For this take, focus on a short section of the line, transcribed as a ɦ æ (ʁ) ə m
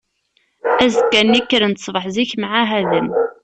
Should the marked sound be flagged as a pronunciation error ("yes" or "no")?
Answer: yes